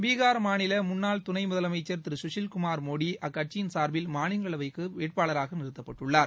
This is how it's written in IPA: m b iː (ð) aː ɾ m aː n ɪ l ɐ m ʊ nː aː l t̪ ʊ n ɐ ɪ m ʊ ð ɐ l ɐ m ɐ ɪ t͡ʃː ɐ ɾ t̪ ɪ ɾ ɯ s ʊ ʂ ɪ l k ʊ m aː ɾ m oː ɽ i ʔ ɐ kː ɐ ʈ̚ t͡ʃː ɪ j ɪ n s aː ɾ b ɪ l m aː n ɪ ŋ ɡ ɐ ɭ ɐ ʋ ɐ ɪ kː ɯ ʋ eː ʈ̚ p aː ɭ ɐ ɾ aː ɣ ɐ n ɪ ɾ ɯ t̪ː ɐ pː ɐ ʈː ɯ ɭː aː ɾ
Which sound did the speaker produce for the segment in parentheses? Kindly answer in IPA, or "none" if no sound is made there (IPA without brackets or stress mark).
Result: ɣ